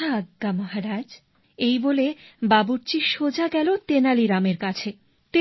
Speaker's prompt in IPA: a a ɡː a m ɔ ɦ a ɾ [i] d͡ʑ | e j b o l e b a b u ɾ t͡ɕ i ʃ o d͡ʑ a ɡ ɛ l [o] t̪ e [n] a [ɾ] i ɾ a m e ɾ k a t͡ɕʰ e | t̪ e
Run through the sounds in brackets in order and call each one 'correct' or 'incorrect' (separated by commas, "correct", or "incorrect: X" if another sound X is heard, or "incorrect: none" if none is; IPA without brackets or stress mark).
incorrect: a, correct, correct, incorrect: l